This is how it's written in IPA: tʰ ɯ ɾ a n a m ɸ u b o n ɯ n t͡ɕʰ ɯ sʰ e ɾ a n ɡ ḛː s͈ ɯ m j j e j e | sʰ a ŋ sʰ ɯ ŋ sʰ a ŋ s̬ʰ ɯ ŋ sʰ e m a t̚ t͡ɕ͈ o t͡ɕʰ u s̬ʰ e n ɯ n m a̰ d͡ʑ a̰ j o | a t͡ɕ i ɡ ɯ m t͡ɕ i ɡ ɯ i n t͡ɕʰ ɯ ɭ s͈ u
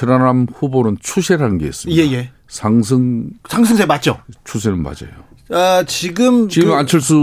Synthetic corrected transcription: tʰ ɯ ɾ a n a m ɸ u b o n ɯ n t͡ɕʰ u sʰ e ɾ a n ɡ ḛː s͈ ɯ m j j e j e | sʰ a ŋ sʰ ɯ ŋ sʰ a ŋ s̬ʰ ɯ ŋ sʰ e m a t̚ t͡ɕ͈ o t͡ɕʰ u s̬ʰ e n ɯ n m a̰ d͡ʑ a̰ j o | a t͡ɕ i ɡ ɯ m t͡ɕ i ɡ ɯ a n t͡ɕʰ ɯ ɭ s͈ u